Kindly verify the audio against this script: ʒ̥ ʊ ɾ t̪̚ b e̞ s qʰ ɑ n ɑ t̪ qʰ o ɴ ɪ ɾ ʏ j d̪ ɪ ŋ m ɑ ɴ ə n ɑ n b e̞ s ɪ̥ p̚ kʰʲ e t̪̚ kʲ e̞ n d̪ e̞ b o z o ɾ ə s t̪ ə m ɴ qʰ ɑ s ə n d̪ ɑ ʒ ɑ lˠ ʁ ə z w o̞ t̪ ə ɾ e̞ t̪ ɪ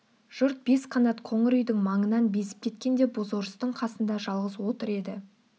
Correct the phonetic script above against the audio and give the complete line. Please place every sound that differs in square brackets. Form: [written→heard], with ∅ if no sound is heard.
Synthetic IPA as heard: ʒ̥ ʊ ɾ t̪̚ b e̞ s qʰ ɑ n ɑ t̪ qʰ o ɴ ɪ ɾ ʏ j d̪ ɪ ŋ m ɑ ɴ ə n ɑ n b e̞ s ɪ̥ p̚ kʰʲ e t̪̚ kʲ e̞ n d̪ e̞ b o z o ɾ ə s t̪ ə [m→∅] ɴ qʰ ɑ s ə n d̪ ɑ ʒ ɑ lˠ ʁ ə z w o̞ t̪ ə ɾ e̞ [t̪→d̪] ɪ